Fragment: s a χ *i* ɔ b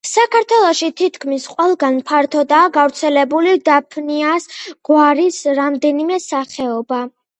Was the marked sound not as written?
yes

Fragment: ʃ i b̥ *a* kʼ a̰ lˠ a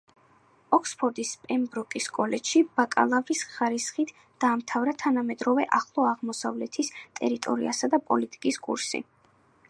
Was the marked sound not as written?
no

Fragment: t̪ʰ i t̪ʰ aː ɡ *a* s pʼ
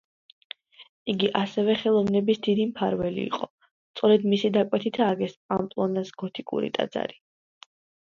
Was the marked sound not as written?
yes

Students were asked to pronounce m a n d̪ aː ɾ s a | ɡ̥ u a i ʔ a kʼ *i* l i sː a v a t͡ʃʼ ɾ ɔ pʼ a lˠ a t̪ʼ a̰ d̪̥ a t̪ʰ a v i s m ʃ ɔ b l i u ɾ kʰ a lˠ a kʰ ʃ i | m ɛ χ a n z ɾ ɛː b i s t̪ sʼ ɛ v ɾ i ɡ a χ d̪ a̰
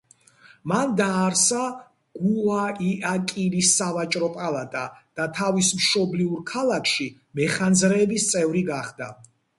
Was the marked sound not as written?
no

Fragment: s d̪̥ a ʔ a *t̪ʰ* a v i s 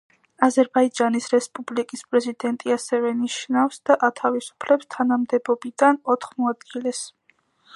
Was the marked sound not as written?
no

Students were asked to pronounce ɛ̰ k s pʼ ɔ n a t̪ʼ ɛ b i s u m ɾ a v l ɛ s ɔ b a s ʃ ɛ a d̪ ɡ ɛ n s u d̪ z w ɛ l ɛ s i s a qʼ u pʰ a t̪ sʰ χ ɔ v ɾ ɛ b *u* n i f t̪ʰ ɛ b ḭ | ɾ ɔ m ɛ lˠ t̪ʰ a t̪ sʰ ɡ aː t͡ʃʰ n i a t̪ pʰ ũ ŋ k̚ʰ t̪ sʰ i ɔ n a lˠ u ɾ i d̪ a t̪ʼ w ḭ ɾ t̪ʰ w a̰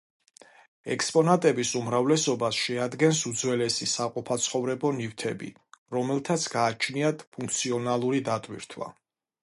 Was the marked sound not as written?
yes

